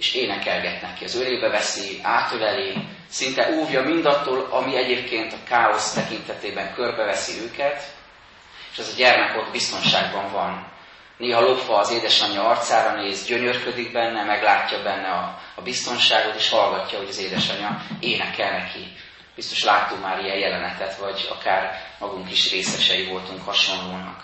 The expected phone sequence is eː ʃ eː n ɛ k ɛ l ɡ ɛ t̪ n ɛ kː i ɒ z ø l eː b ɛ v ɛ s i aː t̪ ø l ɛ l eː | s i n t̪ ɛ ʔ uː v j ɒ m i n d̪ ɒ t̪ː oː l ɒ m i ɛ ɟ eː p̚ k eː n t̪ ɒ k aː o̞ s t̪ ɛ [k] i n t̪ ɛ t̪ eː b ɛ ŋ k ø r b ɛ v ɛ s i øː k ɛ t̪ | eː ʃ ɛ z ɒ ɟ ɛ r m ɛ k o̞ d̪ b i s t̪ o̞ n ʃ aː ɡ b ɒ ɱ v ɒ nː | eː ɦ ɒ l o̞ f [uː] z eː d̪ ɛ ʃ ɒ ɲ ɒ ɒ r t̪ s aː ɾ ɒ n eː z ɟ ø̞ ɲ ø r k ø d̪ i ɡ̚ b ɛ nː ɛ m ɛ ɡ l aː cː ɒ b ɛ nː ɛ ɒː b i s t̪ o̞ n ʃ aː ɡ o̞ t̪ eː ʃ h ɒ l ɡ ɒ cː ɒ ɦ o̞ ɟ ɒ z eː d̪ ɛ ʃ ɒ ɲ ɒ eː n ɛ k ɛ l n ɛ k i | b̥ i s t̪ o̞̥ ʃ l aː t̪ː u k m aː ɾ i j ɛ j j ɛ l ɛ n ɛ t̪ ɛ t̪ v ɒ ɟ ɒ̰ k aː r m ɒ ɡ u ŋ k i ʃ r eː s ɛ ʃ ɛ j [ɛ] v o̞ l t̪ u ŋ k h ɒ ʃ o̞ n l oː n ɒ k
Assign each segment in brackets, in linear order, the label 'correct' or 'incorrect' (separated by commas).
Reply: correct, incorrect, incorrect